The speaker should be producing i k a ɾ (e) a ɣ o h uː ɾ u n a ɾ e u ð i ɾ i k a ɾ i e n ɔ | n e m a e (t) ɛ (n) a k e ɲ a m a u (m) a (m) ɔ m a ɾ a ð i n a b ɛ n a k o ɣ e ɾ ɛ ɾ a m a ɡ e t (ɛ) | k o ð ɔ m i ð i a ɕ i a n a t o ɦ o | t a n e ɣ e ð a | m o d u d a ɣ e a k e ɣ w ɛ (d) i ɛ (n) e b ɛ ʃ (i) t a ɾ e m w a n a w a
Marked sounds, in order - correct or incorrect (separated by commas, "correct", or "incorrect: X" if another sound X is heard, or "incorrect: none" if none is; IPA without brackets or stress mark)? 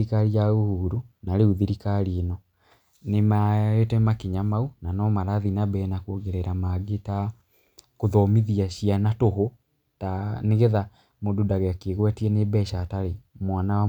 incorrect: i, correct, incorrect: m, incorrect: n, incorrect: n, incorrect: a, incorrect: t, correct, incorrect: a